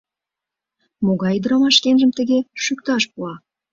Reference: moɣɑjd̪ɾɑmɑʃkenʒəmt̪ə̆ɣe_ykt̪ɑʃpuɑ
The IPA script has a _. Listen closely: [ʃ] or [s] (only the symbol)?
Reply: ʃ